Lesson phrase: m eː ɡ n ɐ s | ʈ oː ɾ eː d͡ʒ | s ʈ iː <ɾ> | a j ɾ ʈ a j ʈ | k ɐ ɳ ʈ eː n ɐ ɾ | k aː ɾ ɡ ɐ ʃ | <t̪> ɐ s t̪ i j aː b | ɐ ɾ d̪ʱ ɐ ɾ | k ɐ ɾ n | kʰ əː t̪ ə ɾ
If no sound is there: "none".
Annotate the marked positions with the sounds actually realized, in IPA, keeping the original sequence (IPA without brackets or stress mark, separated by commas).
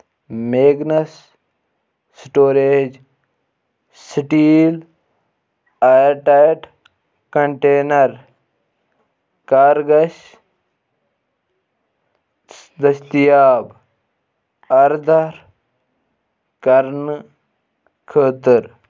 l, d̪